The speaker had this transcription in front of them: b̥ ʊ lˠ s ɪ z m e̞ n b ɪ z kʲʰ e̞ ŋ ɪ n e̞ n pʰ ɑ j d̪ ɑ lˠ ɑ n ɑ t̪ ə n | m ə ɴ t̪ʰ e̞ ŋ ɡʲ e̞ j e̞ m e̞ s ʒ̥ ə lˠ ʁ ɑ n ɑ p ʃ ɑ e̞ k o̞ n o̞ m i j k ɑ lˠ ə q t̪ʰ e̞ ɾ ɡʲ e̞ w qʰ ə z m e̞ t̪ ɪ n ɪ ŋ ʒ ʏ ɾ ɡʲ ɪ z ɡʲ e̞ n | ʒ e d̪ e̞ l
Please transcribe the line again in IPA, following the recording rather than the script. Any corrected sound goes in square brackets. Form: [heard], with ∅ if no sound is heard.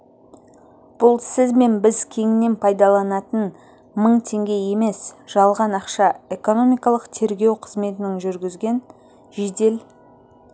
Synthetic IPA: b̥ ʊ lˠ s ɪ z m e̞ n b ɪ z kʲʰ e̞ ŋ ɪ n e̞ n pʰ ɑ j d̪ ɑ lˠ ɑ n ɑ t̪ ə n | m ə ɴ t̪ʰ e̞ ŋ ɡʲ e̞ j e̞ m e̞ s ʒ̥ [ɑ] lˠ ʁ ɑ n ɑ [q] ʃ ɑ e̞ k o̞ n o̞ m i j k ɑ lˠ ə q t̪ʰ e̞ ɾ ɡʲ e̞ w qʰ ə z m e̞ t̪ ɪ n ɪ ŋ ʒ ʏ ɾ ɡʲ ɪ z ɡʲ e̞ n | ʒ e d̪ e̞ l